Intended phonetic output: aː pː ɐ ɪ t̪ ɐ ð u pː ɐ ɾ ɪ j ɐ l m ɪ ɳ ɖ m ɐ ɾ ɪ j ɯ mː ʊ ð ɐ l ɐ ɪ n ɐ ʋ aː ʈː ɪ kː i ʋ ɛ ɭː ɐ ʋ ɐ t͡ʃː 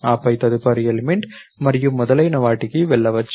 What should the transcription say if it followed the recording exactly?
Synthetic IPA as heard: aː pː ɐ ɪ t̪ ɐ ð ɯ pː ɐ ɾ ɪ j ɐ l m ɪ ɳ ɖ m ɐ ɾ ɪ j ɯ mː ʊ ð ɐ l ɐ ɪ n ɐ ʋ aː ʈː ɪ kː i ʋ ɛ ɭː ɐ ʋ ɐ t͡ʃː